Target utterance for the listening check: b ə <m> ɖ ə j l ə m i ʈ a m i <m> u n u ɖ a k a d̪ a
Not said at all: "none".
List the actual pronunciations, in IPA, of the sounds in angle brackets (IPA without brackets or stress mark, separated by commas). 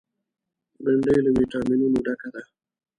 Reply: ɳ, n